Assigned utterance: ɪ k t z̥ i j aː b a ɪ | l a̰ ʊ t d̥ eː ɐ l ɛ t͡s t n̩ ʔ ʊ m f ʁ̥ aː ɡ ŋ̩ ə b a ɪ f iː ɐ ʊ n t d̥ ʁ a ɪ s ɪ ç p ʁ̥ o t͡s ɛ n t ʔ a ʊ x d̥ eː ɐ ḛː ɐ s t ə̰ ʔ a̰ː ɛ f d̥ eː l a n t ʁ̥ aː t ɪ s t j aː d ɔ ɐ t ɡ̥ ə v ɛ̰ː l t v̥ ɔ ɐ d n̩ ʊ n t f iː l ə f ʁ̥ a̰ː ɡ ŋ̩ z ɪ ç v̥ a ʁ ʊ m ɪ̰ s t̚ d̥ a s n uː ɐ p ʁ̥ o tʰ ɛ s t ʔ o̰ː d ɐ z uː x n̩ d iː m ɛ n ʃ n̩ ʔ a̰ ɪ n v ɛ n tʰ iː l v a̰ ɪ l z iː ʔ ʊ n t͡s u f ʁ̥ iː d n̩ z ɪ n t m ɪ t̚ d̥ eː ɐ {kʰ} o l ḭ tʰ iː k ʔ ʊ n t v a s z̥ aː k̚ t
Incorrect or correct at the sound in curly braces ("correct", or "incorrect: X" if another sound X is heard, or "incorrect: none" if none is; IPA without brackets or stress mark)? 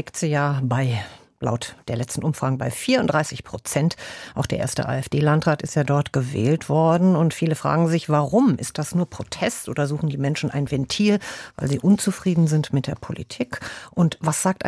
incorrect: pʰ